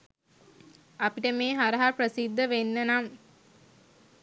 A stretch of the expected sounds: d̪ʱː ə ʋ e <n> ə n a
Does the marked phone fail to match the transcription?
yes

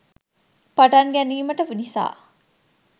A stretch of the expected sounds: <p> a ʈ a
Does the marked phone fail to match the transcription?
no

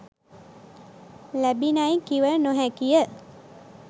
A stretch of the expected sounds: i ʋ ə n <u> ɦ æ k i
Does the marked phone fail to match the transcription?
yes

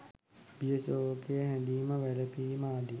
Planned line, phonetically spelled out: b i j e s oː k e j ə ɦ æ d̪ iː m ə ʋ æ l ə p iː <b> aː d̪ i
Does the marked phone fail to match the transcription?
yes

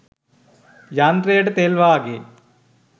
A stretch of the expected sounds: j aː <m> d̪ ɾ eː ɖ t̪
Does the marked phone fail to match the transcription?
yes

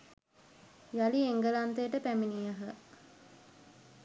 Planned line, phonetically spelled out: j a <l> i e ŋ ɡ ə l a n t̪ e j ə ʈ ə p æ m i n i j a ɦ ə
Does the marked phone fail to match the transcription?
no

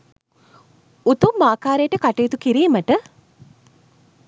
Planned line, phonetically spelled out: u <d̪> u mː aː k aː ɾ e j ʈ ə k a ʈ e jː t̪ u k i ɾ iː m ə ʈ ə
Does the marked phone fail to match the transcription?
yes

